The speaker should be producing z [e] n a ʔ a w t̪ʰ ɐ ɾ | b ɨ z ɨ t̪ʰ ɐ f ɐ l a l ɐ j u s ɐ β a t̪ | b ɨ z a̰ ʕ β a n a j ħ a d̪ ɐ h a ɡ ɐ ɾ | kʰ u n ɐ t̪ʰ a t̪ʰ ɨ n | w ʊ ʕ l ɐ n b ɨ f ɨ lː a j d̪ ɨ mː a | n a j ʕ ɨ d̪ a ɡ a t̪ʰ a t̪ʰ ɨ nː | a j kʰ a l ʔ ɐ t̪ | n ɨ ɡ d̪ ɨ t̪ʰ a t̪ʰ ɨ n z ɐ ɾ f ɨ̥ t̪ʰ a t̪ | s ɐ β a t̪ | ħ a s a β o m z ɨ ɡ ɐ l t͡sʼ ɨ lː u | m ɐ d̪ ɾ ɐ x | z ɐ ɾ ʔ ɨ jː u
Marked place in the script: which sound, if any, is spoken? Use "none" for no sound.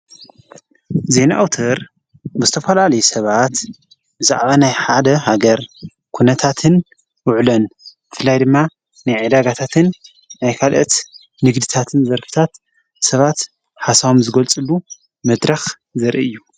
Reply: e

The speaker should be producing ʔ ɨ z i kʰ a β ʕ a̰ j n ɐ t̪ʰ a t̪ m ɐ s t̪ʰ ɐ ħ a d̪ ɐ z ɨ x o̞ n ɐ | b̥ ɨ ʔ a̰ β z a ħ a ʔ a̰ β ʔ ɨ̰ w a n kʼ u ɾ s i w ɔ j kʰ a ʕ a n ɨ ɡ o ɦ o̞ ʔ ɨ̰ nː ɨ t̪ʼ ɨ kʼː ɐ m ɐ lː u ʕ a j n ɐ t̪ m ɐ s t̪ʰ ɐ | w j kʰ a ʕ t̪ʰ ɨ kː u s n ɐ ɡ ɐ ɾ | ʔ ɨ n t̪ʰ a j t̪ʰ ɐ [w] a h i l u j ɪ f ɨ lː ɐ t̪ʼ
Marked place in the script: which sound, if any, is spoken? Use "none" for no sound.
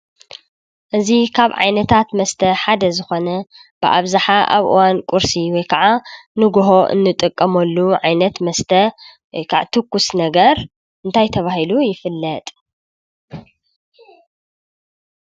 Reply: β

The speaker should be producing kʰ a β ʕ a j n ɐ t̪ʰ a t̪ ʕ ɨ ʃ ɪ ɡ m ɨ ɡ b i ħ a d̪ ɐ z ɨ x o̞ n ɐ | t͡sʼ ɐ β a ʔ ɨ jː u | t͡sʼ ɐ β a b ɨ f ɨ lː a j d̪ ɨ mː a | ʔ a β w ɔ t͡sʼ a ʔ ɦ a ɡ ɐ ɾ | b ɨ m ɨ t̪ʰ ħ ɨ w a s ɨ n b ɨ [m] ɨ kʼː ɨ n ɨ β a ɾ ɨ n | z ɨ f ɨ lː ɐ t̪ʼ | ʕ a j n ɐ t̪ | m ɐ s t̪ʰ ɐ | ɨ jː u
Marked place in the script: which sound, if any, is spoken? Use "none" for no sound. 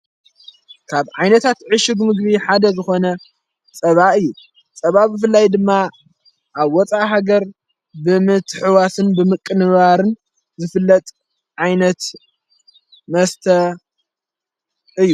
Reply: m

